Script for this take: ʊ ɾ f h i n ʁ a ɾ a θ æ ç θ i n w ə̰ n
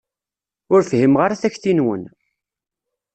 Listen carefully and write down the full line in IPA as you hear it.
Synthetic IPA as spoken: ʊ ɾ f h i m ʁ a ɾ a θ æ ç θ i n w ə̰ n